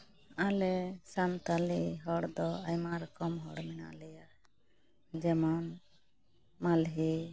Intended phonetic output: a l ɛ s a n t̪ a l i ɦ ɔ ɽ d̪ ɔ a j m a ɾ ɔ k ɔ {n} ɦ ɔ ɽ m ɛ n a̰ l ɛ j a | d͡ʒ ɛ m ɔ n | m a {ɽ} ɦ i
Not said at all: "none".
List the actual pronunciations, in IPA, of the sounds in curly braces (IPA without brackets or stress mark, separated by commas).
m, l